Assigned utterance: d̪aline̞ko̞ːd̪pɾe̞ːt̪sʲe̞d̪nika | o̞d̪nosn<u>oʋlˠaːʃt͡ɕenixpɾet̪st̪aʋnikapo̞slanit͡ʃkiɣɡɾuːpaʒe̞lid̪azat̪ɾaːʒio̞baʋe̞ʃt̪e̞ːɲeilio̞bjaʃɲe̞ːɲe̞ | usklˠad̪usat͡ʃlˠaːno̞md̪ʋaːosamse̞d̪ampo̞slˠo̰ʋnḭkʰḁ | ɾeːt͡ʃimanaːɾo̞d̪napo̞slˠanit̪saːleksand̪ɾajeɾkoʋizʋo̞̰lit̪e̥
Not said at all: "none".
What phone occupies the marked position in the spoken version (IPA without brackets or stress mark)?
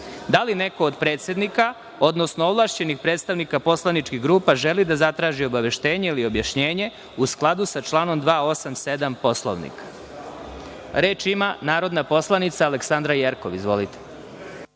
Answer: o